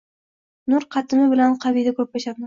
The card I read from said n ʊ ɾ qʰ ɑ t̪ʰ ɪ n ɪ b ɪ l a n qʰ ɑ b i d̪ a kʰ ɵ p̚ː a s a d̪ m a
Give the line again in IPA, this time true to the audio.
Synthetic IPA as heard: n ʊ ɾ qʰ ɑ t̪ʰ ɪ m ɪ b ɪ l a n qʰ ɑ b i d̪ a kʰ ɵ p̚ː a ʃ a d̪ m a